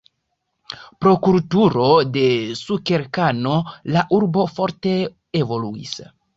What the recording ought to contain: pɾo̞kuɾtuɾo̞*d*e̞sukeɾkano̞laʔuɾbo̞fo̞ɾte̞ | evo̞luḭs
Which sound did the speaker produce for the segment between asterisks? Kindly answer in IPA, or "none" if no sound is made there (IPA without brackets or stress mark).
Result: d